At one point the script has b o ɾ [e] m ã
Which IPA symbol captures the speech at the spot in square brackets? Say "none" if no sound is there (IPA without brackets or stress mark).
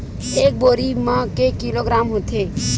i